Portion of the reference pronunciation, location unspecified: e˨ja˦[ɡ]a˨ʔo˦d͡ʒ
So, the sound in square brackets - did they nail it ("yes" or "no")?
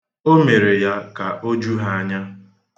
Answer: no